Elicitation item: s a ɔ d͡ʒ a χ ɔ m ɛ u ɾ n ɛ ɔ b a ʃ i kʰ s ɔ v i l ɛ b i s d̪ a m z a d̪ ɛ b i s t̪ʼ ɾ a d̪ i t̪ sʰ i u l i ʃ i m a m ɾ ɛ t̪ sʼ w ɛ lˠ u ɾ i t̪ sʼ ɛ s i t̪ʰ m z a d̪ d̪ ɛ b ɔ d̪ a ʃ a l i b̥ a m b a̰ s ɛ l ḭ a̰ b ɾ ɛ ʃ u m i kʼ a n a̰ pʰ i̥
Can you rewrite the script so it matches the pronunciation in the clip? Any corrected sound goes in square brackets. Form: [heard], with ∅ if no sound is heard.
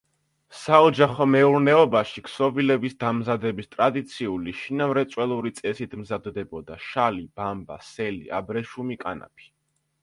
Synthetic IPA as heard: s a ɔ d͡ʒ a χ ɔ m ɛ u ɾ n ɛ ɔ b a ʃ i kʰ s ɔ v i l ɛ b i s d̪ a m z a d̪ ɛ b i s t̪ʼ ɾ a d̪ i t̪ sʰ i u l i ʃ i [n] a m ɾ ɛ t̪ sʼ w ɛ lˠ u ɾ i t̪ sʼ ɛ s i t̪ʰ m z a d̪ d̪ ɛ b ɔ d̪ a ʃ a l i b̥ a m b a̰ s ɛ l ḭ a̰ b ɾ ɛ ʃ u m i kʼ a n a̰ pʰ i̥